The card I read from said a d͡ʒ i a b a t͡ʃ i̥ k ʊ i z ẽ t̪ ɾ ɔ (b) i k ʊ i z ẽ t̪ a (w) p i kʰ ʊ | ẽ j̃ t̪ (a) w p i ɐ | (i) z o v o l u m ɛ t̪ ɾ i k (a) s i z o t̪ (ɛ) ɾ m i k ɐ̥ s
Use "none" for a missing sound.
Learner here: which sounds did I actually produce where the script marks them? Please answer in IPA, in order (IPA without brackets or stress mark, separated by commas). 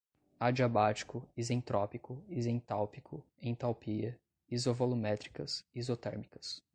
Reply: p, w, a, i, ɐ, ɛ